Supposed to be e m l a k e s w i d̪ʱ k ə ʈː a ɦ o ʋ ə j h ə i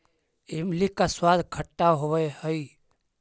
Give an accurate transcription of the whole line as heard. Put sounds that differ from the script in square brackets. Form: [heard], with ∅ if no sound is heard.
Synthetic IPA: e m l [i] k [a] s w [a] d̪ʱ [kʰ] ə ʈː a ɦ o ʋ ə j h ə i